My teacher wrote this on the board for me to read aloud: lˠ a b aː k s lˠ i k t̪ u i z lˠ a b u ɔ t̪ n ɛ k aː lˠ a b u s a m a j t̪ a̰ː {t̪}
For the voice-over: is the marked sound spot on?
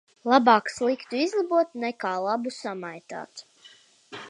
yes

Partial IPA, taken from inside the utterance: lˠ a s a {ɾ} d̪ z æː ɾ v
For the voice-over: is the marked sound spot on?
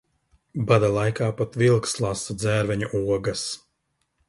no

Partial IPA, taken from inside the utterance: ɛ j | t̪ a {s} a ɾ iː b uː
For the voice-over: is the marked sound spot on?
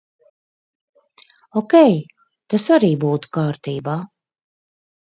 yes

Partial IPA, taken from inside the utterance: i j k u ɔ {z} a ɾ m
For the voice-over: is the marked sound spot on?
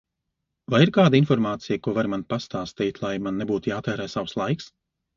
no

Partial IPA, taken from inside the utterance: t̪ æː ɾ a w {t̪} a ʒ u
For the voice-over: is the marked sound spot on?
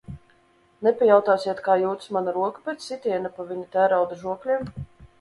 no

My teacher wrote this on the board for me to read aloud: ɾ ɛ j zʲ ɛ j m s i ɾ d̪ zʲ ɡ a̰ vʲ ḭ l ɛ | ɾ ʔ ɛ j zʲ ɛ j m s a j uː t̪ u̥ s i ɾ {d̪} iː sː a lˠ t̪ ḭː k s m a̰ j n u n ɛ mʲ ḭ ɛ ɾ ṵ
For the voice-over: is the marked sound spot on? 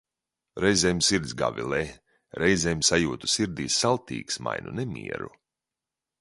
yes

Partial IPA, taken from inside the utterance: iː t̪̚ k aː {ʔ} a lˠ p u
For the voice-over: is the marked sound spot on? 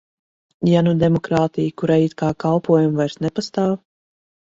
no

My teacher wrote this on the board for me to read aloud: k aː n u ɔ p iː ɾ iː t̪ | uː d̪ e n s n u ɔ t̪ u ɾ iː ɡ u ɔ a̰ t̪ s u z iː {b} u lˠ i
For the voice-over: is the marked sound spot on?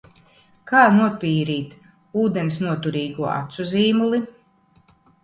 no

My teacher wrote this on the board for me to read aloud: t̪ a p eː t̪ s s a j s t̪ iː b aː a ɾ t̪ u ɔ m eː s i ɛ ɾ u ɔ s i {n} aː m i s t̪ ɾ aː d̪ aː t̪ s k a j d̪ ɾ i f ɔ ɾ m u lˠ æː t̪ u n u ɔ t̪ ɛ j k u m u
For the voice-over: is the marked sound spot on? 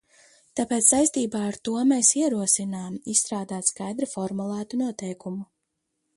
yes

